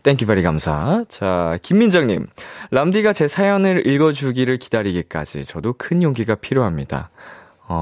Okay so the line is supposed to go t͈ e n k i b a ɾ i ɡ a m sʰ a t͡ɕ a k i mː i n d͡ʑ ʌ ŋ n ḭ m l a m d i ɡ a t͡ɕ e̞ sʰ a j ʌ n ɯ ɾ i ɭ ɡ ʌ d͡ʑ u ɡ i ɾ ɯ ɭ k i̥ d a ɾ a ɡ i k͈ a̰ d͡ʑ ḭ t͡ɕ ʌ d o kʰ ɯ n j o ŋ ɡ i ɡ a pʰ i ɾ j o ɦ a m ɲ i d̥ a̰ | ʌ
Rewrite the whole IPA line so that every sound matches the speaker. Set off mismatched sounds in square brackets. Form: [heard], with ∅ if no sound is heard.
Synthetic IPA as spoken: t͈ e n k i b a ɾ i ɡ a m sʰ a t͡ɕ a k i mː i n d͡ʑ ʌ ŋ [ɲ] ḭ m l a m d i ɡ a t͡ɕ e̞ sʰ a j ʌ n ɯ ɾ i ɭ ɡ ʌ d͡ʑ u ɡ i ɾ ɯ ɭ k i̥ d a ɾ [i] ɡ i k͈ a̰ d͡ʑ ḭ t͡ɕ ʌ d o kʰ ɯ n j o ŋ ɡ i ɡ a pʰ i ɾ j o ɦ a m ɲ i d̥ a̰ | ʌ